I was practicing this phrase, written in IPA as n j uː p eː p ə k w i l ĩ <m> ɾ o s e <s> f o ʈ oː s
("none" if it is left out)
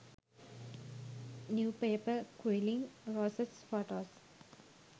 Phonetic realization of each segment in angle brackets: ŋ, s

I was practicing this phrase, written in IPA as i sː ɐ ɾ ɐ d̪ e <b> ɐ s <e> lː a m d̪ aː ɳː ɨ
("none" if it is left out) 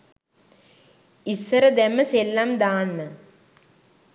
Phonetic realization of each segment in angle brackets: m, e

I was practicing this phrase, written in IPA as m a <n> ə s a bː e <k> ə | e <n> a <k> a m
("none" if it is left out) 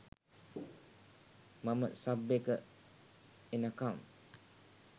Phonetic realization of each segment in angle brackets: m, k, n, k

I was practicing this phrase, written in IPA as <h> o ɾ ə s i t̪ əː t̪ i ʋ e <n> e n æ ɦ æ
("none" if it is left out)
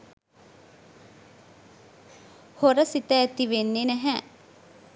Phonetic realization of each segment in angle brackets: h, nː

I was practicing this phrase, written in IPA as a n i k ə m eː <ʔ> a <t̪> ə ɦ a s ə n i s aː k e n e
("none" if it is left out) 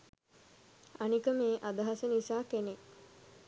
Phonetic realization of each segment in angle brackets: ʔ, d̪

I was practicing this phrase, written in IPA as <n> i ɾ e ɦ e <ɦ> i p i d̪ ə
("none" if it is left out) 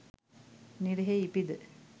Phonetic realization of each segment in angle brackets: n, none

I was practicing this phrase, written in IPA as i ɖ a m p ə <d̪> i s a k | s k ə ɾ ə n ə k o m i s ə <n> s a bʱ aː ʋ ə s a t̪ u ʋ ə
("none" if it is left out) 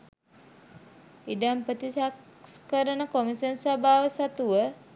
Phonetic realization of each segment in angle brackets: t̪, n

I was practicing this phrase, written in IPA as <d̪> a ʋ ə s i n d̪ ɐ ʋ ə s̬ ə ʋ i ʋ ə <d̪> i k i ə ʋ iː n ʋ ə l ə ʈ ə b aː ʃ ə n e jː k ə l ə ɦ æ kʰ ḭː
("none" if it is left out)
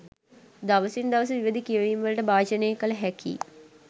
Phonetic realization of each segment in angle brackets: d̪, d̪

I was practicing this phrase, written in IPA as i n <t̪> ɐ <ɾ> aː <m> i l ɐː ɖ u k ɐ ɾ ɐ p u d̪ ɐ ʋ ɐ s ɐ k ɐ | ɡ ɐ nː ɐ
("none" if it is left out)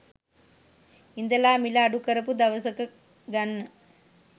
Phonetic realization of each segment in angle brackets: d̪, l, m

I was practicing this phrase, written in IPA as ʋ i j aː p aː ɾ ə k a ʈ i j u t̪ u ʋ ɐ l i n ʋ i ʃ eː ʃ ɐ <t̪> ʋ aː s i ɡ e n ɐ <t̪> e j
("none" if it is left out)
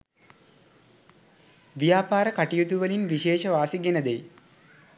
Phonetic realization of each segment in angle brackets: none, d̪

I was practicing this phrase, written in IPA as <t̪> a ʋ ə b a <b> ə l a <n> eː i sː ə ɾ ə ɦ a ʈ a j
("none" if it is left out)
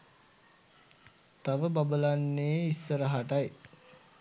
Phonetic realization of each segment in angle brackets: t̪, b, nː

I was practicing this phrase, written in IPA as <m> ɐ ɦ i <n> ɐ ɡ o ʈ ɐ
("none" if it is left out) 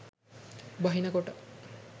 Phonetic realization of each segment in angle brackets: b, n

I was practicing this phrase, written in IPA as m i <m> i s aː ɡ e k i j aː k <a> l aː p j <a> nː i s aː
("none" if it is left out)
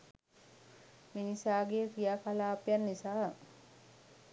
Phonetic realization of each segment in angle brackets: n, a, a

